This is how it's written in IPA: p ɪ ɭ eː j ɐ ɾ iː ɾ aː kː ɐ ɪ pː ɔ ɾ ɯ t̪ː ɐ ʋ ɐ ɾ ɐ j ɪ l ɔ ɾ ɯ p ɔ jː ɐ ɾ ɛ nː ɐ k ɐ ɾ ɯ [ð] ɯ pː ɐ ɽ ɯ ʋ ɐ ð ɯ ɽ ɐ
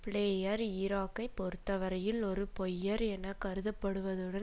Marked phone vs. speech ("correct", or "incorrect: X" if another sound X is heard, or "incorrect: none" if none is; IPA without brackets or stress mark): correct